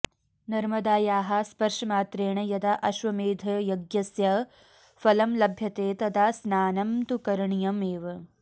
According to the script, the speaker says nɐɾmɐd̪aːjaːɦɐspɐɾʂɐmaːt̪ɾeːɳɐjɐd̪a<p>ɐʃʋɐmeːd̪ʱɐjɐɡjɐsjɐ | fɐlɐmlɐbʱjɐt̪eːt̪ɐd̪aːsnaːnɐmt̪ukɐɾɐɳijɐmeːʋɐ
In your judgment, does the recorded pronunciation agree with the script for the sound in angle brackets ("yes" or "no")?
no